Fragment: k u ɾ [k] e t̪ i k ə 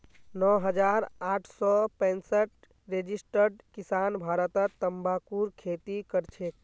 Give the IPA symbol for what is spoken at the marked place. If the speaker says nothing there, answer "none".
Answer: kʰ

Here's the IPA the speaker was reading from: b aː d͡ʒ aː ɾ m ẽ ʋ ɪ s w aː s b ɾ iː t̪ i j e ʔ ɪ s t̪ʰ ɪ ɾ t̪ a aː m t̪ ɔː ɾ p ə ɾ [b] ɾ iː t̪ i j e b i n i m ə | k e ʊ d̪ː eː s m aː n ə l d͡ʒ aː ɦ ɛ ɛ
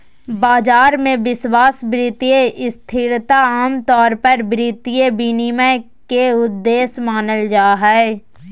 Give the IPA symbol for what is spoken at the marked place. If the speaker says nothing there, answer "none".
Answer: b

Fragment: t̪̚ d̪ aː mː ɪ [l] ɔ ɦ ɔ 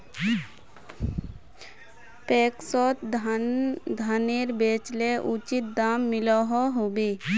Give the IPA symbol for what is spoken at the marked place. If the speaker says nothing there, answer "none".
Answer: l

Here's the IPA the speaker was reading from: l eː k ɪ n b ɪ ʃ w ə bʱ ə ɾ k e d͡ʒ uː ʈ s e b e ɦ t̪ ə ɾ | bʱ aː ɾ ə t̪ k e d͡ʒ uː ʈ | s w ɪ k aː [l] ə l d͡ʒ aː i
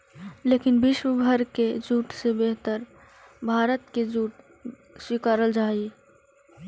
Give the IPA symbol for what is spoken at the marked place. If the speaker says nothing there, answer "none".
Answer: ɾ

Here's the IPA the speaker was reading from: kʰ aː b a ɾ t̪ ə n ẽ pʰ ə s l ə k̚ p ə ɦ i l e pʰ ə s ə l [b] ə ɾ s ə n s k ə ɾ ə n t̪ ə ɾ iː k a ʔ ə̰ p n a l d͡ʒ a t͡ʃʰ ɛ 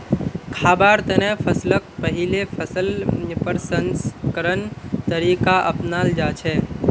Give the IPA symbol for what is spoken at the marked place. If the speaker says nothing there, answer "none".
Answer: p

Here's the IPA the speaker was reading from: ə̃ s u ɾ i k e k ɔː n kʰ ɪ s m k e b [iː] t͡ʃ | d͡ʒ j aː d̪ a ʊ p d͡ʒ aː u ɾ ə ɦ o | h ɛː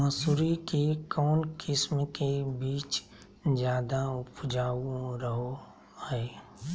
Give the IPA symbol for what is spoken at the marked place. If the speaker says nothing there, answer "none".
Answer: iː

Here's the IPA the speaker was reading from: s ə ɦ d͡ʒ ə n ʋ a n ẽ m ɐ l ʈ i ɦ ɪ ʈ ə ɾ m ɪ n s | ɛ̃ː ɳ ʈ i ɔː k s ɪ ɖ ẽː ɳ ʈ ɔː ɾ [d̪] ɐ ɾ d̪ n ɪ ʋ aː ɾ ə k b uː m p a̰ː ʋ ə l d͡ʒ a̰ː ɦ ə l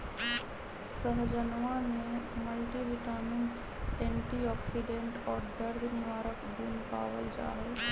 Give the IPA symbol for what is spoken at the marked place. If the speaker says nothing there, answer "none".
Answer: d̪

